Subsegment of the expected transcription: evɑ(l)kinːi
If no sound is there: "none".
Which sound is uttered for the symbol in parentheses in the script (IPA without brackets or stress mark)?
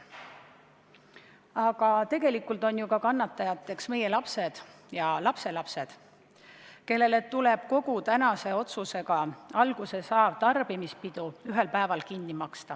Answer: l